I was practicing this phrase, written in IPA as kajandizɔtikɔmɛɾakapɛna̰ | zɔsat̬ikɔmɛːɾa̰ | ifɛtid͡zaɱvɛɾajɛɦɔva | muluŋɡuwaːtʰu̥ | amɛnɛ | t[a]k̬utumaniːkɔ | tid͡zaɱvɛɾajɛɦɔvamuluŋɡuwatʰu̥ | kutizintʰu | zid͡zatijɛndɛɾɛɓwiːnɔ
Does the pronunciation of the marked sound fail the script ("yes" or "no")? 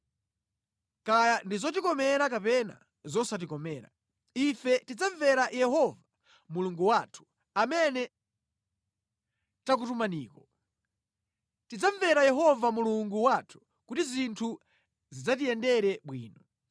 no